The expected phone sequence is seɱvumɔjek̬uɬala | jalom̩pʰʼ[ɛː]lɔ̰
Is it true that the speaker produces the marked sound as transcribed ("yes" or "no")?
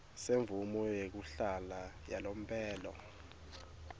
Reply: yes